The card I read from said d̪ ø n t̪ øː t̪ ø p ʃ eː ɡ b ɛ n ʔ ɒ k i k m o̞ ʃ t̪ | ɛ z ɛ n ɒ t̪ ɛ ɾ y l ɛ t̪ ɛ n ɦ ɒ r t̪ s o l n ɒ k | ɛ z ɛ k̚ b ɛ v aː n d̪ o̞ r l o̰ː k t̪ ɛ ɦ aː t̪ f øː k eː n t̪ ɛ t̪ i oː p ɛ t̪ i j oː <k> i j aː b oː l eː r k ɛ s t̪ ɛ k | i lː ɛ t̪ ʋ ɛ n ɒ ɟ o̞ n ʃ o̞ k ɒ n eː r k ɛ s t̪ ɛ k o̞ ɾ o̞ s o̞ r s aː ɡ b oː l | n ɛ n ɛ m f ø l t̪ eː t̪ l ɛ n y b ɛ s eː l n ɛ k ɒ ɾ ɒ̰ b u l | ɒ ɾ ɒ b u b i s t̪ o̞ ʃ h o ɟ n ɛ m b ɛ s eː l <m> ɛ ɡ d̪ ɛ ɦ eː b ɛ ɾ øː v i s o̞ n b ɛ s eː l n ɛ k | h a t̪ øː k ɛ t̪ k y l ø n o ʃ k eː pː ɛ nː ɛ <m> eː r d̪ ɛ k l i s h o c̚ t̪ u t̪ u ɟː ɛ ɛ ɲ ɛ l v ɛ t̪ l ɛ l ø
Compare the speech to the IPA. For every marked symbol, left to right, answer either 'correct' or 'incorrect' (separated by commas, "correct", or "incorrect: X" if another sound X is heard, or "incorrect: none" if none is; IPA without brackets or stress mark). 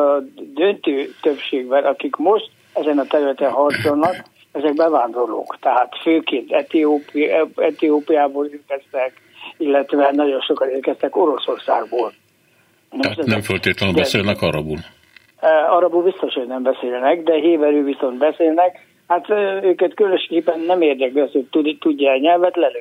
incorrect: p, incorrect: n, correct